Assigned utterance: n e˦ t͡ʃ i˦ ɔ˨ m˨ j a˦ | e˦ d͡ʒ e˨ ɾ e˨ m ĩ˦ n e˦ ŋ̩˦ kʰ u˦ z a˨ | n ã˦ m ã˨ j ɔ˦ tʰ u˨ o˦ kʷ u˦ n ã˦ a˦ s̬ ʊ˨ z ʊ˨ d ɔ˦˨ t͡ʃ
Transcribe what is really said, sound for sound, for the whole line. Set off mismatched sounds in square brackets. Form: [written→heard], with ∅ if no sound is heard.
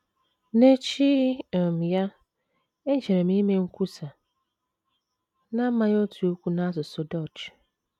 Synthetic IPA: n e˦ t͡ʃ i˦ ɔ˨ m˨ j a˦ | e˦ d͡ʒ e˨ ɾ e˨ m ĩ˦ [n→m] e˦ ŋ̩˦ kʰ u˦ [z→s] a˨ | n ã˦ m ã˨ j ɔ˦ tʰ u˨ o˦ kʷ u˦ n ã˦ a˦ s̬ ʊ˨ [z→s] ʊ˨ d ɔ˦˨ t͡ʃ